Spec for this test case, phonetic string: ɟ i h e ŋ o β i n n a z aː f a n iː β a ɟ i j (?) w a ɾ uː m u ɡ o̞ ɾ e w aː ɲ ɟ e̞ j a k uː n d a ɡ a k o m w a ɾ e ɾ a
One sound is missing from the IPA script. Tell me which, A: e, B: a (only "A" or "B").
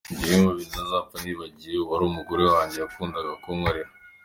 A